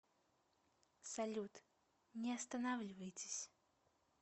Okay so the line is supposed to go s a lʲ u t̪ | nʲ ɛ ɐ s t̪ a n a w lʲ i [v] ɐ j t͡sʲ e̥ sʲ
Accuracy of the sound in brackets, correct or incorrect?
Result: correct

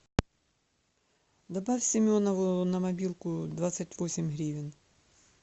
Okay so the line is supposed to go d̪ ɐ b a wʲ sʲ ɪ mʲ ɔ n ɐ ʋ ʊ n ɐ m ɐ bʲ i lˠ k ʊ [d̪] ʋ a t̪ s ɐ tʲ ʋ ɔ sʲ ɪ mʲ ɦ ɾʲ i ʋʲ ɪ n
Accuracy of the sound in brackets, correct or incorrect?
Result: correct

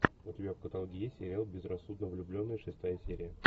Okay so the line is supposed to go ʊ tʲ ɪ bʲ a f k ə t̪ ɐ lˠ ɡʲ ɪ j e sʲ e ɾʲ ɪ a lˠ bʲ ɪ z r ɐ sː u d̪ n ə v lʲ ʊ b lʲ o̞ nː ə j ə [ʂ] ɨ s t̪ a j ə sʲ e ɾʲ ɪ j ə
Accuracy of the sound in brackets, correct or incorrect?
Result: correct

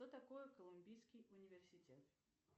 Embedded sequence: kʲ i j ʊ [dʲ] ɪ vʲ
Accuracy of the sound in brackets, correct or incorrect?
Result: incorrect: nʲ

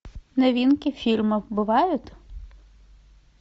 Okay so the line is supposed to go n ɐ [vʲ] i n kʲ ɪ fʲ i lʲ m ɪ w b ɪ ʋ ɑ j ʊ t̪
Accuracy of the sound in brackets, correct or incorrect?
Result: incorrect: ʋʲ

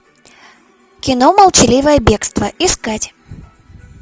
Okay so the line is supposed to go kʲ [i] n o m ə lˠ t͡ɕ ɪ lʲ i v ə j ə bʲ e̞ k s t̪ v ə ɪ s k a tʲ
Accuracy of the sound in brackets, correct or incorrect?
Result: incorrect: ɪ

